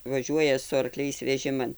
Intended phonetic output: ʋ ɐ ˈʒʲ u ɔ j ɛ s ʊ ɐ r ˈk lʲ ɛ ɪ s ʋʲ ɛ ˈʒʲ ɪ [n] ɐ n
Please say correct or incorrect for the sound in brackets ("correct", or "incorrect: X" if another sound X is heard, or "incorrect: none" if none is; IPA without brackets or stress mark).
incorrect: m